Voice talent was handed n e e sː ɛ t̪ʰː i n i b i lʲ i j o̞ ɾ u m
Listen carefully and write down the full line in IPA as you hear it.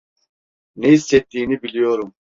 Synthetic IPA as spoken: n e i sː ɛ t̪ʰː iː n i b i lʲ i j o̞ ɾ u m